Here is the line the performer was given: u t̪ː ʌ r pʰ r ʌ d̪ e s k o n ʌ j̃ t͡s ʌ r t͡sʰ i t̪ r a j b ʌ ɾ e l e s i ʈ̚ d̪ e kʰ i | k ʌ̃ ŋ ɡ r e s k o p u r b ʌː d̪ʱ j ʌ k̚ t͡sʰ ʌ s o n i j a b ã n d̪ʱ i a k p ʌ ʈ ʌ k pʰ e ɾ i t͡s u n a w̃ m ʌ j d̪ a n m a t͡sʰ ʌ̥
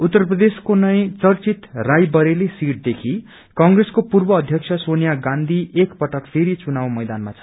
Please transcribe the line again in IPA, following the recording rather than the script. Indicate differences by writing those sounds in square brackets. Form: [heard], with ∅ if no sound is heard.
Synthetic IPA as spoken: u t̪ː ʌ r [p] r ʌ d̪ e s k o n ʌ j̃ t͡s ʌ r [t͡s] i t̪ r a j b ʌ ɾ e l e s i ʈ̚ d̪ e kʰ i | k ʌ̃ ŋ ɡ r e s k o p u r b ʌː d̪ʱ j ʌ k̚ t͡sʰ ʌ s o n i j a [ɡ] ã n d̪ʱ i [e] k p ʌ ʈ ʌ k pʰ e ɾ i t͡s u n a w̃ m ʌ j d̪ a n m a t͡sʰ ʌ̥